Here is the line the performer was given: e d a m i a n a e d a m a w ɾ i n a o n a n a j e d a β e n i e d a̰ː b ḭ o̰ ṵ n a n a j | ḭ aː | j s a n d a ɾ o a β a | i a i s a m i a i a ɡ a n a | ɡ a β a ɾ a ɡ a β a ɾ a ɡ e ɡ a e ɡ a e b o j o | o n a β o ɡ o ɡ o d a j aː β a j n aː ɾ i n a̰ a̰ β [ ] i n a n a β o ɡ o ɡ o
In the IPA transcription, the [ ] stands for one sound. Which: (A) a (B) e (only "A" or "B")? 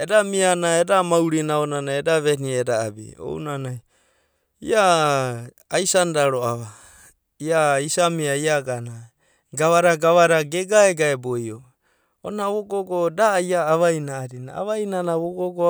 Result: A